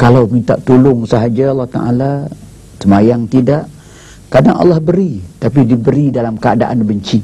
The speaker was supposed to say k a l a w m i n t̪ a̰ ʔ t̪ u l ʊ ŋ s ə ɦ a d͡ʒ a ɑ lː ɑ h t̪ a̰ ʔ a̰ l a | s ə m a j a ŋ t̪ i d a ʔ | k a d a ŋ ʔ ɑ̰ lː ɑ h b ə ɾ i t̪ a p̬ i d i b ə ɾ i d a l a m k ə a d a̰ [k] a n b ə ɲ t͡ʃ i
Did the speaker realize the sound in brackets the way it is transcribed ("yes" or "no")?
no